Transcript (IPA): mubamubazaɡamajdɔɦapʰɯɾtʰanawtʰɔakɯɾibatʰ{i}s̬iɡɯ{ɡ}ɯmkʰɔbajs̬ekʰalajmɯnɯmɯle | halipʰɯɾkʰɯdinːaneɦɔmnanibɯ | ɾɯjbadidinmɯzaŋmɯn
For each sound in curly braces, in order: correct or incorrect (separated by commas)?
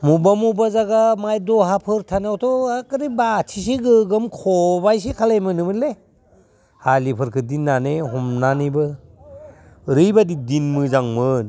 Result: correct, correct